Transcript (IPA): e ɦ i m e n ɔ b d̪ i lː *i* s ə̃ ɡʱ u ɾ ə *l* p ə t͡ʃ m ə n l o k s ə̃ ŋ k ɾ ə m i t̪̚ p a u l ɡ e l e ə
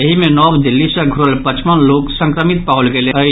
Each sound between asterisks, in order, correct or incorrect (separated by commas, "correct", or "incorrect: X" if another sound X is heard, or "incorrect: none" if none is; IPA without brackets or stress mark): correct, correct